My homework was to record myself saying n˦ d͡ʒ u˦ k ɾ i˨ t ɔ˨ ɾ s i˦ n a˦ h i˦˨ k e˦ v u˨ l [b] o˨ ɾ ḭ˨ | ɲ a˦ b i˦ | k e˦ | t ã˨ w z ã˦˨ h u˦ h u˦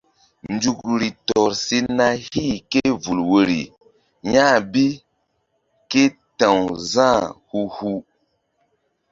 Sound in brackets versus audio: incorrect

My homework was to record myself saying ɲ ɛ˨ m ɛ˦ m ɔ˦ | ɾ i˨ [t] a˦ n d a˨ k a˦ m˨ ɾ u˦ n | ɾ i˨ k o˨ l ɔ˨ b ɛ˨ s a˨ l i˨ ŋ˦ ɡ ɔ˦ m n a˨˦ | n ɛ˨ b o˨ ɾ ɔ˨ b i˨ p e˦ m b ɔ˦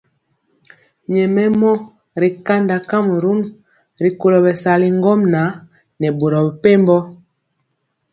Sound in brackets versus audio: incorrect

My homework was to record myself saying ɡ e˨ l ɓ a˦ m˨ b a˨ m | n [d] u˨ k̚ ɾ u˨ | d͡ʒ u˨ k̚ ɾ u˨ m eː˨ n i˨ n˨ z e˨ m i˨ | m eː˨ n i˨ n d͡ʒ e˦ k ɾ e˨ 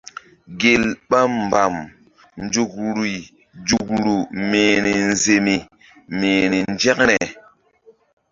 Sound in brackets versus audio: incorrect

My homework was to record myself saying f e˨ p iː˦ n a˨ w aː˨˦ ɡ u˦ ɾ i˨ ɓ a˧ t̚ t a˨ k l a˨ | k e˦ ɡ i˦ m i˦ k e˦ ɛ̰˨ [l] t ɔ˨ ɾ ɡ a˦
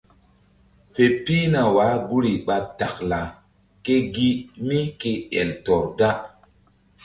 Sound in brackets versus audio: correct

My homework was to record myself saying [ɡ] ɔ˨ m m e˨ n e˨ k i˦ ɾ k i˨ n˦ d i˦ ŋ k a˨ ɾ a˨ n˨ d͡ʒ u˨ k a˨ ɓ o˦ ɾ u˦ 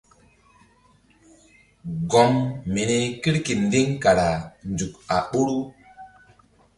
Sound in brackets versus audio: correct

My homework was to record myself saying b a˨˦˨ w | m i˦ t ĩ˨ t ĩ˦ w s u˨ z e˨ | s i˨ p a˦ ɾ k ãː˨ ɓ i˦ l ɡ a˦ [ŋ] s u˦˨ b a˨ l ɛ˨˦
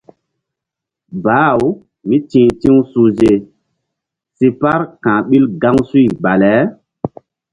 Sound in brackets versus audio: correct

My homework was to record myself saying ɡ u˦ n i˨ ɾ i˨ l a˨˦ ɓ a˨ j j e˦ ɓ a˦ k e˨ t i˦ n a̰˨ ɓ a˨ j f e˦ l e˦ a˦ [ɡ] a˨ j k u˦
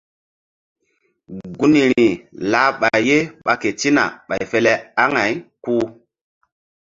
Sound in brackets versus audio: incorrect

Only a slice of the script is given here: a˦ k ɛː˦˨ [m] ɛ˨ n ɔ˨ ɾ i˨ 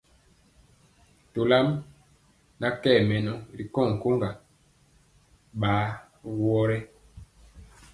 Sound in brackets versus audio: correct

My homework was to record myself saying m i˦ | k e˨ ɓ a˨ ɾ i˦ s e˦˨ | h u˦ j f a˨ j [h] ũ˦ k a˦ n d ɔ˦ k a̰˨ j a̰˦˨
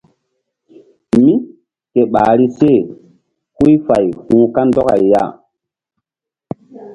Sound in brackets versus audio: correct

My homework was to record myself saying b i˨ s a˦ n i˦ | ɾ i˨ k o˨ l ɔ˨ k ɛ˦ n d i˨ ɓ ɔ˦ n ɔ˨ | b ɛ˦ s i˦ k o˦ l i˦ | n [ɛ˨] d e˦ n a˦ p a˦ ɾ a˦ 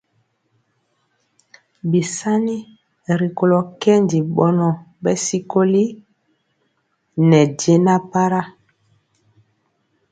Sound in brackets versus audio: correct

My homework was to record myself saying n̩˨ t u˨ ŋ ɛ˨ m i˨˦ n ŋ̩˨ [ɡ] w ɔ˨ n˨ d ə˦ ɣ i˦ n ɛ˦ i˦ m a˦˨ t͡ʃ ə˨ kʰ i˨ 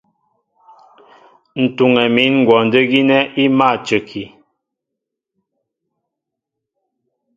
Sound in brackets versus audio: correct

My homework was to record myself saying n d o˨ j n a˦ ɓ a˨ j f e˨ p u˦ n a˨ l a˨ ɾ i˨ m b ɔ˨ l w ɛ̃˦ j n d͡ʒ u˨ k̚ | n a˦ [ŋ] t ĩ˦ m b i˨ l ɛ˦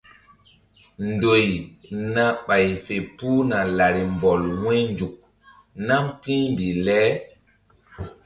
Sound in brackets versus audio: incorrect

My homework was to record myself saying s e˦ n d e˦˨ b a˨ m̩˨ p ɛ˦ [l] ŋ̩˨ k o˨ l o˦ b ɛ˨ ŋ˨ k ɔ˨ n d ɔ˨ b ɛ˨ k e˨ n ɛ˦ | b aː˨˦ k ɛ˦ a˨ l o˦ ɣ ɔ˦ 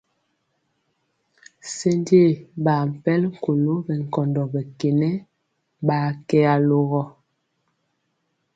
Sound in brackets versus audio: correct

